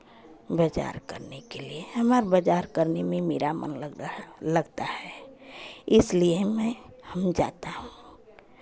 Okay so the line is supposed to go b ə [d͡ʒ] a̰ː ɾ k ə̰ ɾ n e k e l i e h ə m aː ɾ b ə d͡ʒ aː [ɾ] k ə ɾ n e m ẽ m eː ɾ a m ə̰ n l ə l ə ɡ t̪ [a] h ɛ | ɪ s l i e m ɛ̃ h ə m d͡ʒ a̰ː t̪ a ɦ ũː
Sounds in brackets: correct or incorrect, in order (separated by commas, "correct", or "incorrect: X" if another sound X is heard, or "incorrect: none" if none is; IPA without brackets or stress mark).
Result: correct, correct, correct